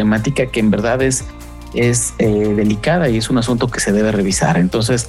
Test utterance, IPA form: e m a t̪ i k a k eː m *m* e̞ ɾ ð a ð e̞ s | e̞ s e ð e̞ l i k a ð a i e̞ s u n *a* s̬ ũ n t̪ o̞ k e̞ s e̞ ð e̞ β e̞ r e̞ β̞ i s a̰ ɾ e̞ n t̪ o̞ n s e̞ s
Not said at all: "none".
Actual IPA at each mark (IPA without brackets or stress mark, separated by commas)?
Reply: b, a